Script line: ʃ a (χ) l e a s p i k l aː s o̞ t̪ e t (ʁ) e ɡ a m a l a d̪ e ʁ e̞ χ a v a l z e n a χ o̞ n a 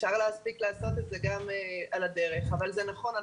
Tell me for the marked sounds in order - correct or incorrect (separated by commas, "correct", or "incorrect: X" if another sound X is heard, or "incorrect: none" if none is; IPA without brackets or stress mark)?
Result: incorrect: ʁ, incorrect: z